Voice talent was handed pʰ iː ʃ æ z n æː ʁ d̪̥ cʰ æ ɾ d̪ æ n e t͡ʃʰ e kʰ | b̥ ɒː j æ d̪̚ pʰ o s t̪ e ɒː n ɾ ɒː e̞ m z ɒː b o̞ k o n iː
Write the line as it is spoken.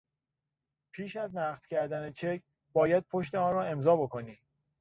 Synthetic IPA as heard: pʰ iː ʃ æ z n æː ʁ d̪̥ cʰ æ ɾ d̪ æ n e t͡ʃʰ e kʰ | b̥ ɒː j æ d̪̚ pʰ o ʃ t̪ e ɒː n ɾ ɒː e̞ m z ɒː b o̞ k o n iː